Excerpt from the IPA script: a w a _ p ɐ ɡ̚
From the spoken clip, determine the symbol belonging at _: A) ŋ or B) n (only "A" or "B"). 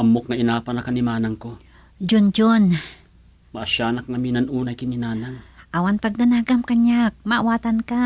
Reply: B